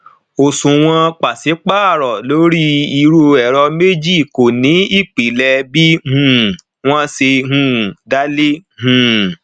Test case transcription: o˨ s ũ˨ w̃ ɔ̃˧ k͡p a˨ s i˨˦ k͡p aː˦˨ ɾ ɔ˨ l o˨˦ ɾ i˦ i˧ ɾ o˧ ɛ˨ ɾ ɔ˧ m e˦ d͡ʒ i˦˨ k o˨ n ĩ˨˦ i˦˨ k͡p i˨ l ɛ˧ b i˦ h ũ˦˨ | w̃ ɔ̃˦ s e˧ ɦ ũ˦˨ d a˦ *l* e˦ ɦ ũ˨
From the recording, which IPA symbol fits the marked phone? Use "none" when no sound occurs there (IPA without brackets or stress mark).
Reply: l